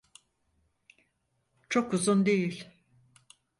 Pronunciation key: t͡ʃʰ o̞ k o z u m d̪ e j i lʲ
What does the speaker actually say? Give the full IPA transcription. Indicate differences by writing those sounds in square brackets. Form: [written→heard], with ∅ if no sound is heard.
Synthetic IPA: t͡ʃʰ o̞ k [o→u] z u [m→n] d̪ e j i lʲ